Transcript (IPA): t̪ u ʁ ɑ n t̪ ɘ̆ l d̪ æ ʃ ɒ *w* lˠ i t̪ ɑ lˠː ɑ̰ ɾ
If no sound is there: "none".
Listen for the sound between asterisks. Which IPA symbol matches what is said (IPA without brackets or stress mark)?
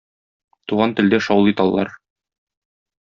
w